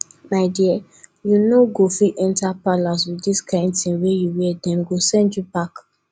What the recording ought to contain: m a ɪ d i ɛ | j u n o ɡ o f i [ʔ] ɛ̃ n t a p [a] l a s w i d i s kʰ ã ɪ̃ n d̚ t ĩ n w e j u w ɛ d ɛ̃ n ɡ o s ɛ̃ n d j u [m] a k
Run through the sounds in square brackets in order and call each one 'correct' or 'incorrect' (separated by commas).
correct, correct, incorrect